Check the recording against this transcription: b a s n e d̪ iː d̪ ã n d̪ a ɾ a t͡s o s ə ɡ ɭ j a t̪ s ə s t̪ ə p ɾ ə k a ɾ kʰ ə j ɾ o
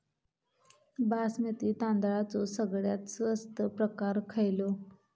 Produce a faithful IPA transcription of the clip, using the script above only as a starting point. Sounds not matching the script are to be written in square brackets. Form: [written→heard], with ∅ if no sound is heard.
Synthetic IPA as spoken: b a s [n→m] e [d̪→t̪] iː [d̪→t̪] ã n d̪ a [ɾ→ɭ] a t͡s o s ə ɡ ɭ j a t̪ s ə s t̪ ə p ɾ ə k a ɾ kʰ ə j [ɾ→l] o

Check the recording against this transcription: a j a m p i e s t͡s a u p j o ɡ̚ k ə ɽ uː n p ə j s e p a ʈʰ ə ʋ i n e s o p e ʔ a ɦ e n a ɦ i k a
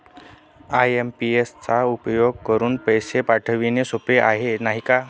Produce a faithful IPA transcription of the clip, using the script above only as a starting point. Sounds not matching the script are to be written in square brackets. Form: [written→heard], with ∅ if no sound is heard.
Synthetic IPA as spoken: a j [a→e] m p i e s t͡s a u p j o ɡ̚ k ə [ɽ→ɾ] uː n p ə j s e p a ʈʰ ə ʋ i n e s o p e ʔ a ɦ e n a ɦ i k a

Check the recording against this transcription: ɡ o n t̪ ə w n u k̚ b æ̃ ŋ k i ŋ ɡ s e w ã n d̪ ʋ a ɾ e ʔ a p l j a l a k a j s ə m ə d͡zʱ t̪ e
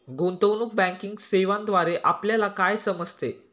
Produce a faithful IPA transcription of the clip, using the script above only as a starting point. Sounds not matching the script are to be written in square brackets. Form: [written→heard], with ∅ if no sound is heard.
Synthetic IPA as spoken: ɡ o n t̪ ə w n u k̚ b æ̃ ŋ k i ŋ ɡ s e [w→ʋ] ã n d̪ ʋ a ɾ e ʔ a p l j a l a k a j s ə m ə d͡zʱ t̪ e

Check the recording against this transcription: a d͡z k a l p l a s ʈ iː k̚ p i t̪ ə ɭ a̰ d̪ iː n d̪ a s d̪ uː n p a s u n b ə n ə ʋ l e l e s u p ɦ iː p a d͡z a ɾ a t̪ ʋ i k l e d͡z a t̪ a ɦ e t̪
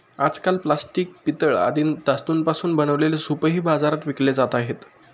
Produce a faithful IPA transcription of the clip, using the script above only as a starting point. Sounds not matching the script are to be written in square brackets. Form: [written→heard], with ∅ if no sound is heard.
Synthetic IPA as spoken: a d͡z k a l p l a s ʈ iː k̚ p i t̪ ə ɭ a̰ d̪ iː n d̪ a s [d̪→t̪] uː n p a s [u→uː] n b ə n ə ʋ l e l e s u p ɦ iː [p→b] a d͡z a ɾ a t̪ ʋ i k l e d͡z a t̪ a ɦ e t̪

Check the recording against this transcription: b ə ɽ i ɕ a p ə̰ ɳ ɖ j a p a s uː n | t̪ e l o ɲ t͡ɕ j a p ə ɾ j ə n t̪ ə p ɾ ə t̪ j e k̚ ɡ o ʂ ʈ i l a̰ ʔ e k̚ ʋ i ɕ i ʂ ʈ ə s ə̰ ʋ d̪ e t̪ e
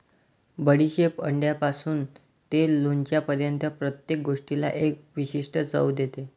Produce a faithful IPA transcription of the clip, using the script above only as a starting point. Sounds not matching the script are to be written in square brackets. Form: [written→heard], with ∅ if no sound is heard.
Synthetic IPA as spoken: b ə ɽ i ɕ [a→e] p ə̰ ɳ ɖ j a p a s uː n | t̪ e l o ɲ t͡ɕ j a p ə ɾ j ə n t̪ ə p ɾ ə t̪ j e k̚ ɡ o ʂ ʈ i l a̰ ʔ e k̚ ʋ i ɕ i ʂ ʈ ə [s→t͡s] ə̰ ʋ d̪ e t̪ e

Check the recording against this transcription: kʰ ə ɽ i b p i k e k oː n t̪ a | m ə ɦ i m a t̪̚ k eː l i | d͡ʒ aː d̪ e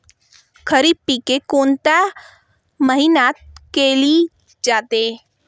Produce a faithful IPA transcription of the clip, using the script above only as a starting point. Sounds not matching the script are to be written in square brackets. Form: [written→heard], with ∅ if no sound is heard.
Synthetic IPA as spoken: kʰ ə [ɽ→ɾ] i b p i k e k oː n t̪ a | m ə ɦ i [m→n] a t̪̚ k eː l i | d͡ʒ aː [d̪→t̪] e

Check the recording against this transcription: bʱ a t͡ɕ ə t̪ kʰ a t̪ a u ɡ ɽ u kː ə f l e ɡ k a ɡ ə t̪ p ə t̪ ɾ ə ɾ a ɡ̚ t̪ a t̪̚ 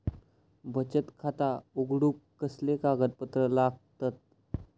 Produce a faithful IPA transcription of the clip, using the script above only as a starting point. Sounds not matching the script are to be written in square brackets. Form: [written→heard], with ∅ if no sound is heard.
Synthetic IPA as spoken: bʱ [a→ə] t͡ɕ ə t̪ kʰ a t̪ a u ɡ ɽ u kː ə [f→s] l e [ɡ→∅] k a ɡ ə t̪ p ə t̪ ɾ ə [ɾ→l] a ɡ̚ t̪ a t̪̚

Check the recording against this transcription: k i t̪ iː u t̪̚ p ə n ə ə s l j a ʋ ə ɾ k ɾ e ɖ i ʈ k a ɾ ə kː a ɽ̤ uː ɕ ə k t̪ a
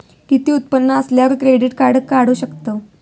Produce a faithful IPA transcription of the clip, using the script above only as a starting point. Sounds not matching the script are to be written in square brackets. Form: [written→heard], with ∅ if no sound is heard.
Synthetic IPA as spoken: k i t̪ iː u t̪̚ p ə [n→nː] ə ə s l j a ʋ ə ɾ k ɾ e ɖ i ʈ k a [ɾ→ɽ] ə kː a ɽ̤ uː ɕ ə k t̪ [a→ə]

